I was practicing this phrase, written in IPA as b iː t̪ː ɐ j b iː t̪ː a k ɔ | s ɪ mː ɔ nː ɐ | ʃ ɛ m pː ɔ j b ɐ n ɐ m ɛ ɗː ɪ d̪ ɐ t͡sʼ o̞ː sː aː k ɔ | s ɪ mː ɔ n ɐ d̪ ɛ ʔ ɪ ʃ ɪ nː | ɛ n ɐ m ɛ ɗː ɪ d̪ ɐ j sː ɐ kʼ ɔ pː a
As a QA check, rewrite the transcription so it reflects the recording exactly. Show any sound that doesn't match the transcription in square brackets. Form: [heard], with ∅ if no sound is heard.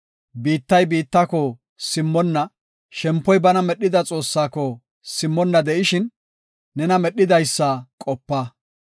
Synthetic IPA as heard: b iː t̪ː ɐ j b iː t̪ː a k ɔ | s ɪ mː ɔ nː ɐ | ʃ ɛ m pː ɔ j b ɐ n ɐ m ɛ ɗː ɪ d̪ ɐ t͡sʼ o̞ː sː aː k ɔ | s ɪ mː ɔ [nː] ɐ d̪ ɛ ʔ ɪ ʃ ɪ nː | ɛ n ɐ m ɛ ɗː ɪ d̪ ɐ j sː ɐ kʼ ɔ pː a